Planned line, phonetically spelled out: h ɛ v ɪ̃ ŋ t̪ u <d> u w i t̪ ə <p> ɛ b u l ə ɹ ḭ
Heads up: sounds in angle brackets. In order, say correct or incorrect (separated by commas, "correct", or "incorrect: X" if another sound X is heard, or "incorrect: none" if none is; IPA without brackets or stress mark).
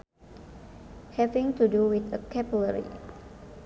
correct, incorrect: k